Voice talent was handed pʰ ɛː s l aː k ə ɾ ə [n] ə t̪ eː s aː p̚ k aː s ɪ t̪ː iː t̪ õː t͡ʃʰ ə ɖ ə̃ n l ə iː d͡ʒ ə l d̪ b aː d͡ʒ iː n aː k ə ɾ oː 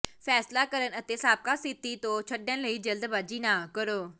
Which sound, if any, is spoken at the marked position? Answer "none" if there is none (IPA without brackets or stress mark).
n